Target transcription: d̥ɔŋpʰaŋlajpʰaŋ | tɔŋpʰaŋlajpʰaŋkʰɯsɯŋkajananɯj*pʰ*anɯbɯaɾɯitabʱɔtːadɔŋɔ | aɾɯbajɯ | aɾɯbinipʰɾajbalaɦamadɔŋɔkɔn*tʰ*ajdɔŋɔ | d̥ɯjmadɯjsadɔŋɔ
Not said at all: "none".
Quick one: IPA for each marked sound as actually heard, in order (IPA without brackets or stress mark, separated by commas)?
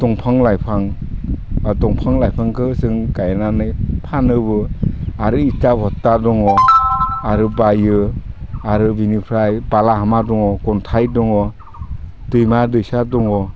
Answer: pʰ, tʰ